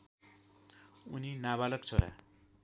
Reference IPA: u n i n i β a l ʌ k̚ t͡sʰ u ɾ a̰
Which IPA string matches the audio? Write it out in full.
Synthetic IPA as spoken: u n i n a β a l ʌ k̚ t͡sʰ o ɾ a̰